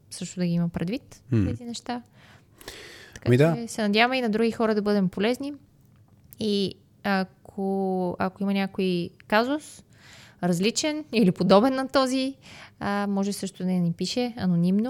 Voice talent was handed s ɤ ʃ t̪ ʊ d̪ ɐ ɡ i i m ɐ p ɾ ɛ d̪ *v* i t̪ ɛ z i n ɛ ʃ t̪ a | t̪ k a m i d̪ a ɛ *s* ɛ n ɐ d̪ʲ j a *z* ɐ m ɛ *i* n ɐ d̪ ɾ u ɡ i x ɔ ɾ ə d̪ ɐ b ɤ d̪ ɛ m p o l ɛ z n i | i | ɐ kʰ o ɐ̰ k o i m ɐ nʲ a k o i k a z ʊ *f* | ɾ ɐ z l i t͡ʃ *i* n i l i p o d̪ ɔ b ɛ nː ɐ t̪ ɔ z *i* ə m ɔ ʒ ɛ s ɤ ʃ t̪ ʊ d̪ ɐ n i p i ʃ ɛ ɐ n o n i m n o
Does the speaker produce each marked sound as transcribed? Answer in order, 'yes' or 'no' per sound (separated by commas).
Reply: yes, yes, no, yes, no, no, yes